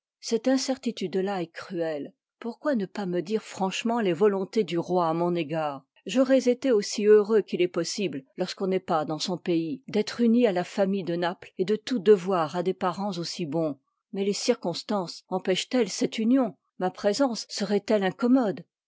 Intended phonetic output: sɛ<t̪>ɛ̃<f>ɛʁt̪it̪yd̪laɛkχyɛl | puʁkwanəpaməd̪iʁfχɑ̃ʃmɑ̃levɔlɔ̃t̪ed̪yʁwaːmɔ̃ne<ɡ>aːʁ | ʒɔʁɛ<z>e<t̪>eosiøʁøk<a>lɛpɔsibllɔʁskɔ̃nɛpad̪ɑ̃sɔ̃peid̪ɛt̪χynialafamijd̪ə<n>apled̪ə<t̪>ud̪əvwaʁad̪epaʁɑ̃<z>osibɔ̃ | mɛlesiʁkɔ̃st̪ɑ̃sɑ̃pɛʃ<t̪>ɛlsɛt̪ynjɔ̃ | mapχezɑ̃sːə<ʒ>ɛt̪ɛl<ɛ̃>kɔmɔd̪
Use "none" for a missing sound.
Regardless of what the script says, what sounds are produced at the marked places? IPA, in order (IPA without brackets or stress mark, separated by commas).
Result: t̪, s, ɡ, z, t̪, i, n, t̪, z, t̪, ʁ, ɛ̃